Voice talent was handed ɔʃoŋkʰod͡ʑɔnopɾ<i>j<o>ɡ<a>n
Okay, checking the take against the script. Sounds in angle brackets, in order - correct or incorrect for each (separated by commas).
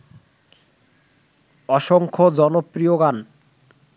correct, correct, correct